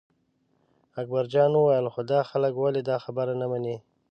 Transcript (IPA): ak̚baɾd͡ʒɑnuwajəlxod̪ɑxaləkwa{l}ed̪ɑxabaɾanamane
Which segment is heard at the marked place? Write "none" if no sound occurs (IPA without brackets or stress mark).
l